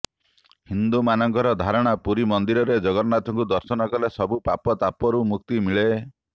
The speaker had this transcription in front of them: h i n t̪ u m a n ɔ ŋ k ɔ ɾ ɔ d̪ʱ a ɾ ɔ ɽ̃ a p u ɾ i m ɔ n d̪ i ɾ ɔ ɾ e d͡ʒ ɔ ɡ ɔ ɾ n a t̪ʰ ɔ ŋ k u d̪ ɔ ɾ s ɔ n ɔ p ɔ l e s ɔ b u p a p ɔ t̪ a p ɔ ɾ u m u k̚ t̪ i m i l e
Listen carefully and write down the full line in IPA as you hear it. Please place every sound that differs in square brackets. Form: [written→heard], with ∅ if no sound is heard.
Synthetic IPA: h i n [t̪→d̪] u m a n ɔ ŋ k ɔ ɾ ɔ d̪ʱ a ɾ ɔ ɽ̃ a p u ɾ i m ɔ n d̪ i ɾ ɔ ɾ e d͡ʒ ɔ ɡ ɔ ɾ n a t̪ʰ ɔ ŋ k u d̪ ɔ ɾ s ɔ n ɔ [p→k] ɔ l e s ɔ b u p a p ɔ t̪ a p ɔ ɾ u m u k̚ t̪ i m i [l→ɭ] e